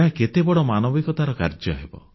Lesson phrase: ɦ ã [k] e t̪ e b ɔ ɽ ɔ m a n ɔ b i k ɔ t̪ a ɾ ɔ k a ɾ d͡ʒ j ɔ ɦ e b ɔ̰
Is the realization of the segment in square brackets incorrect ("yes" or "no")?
no